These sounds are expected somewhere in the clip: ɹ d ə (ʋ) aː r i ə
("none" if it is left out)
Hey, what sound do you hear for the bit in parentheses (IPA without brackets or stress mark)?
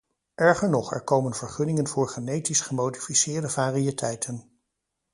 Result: v